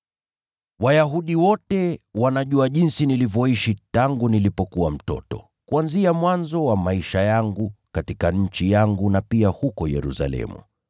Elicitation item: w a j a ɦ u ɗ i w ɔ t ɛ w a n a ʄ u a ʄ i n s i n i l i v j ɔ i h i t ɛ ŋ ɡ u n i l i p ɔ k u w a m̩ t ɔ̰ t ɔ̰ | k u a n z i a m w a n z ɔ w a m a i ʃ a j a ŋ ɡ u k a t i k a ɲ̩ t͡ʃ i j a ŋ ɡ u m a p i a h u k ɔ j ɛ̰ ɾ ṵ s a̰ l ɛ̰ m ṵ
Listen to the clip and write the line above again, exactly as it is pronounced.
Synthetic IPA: w a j a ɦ u ɗ i w ɔ t ɛ w a n a ʄ u a ʄ i n s i n i l i v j ɔ i ʃ i t a ŋ ɡ u n i l i p ɔ k u w a m̩ t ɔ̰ t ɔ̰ | k u a n z i a m w a n z ɔ w a m a i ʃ a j a ŋ ɡ u k a t i k a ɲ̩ t͡ʃ i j a ŋ ɡ u n a p i a h u k ɔ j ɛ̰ ɾ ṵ s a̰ l ɛ̰ m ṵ